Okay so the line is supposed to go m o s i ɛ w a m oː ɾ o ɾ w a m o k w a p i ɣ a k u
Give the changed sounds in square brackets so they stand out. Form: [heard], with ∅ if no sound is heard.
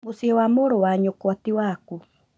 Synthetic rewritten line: m o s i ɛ w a m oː ɾ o [∅] w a [ɲ] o k w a [t] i [w] a k u

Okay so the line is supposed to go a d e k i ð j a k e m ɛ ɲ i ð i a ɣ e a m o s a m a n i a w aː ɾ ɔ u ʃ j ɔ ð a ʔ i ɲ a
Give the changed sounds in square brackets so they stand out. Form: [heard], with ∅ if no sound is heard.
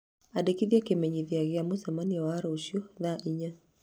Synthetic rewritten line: a d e k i ð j a k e m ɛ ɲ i ð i a ɣ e a m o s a m a n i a w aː ɾ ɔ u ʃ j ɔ ð a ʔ i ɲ a

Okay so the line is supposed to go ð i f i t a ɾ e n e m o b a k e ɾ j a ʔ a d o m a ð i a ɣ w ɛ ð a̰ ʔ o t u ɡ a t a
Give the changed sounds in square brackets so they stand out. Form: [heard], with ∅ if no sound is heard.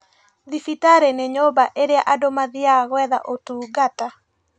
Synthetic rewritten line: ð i f i t a ɾ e n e [ɲ] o b a [ʔ] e ɾ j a ʔ a d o m a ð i a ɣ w ɛ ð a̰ ʔ o t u ɡ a t a

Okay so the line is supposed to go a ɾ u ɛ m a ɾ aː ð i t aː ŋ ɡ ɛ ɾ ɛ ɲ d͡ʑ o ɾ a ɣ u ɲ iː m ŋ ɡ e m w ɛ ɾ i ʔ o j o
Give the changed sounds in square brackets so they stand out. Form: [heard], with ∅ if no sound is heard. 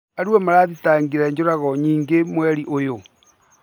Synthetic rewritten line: a ɾ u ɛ m a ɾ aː ð i t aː ŋ ɡ [i] ɾ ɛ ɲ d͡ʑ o ɾ a ɣ [ɔ] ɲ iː [∅] ŋ ɡ e m w ɛ ɾ i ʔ o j o

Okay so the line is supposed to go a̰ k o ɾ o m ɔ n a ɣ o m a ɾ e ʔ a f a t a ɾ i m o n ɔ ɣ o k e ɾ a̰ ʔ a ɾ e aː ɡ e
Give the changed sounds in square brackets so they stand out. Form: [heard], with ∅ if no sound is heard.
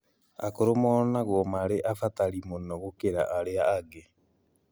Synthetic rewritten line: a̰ k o ɾ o m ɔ n a ɣ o m a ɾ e ʔ a f a t a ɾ i m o n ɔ ɣ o k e ɾ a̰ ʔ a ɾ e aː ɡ e

